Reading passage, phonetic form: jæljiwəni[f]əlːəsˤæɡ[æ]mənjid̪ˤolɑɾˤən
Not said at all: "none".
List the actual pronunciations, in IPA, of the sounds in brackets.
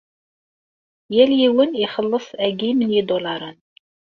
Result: χ, i

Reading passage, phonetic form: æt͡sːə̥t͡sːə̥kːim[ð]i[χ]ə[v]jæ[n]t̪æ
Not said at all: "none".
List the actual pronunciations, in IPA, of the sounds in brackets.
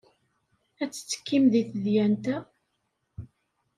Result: ð, θ, ð, n

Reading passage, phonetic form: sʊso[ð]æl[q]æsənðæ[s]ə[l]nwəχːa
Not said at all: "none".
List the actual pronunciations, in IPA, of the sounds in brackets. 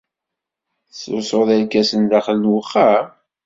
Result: ð, k, χ, l

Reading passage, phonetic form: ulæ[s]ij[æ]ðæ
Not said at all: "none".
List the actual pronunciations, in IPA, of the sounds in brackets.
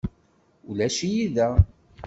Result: ʃ, i

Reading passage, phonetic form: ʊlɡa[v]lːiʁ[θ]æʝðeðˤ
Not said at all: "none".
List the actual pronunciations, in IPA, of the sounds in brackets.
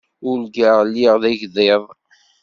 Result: ʁ, ð

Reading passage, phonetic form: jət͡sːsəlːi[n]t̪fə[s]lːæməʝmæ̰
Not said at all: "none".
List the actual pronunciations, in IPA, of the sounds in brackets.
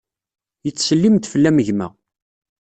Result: m, none

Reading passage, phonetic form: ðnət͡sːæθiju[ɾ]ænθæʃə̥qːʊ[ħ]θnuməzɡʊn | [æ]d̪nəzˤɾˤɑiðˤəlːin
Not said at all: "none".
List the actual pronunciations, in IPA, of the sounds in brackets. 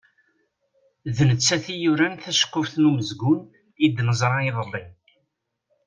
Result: ɾ, f, i

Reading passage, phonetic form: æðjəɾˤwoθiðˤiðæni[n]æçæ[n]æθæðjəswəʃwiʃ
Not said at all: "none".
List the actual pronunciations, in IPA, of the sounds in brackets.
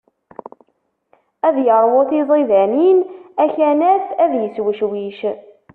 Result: n, n

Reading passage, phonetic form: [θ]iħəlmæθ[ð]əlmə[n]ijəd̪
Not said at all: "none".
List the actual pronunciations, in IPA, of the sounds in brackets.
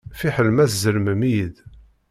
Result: f, z, m

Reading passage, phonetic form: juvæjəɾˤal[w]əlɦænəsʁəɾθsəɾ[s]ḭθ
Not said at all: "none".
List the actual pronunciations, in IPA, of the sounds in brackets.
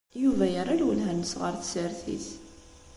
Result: w, θ

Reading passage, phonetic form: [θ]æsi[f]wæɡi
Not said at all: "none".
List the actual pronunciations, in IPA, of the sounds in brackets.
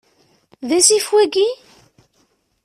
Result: ð, f

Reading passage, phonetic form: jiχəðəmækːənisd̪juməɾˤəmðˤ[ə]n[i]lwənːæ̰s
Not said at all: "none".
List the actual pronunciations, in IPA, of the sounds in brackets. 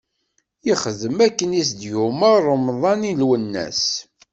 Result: ɑ, i

